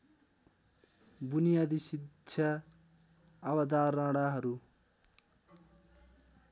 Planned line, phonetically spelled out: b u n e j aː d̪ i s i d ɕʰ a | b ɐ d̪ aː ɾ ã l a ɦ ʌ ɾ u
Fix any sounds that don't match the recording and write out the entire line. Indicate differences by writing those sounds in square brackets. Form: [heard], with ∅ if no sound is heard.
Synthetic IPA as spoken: b u n [i] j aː d̪ i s i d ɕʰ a | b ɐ d̪ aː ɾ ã [ɽ] a ɦ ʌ ɾ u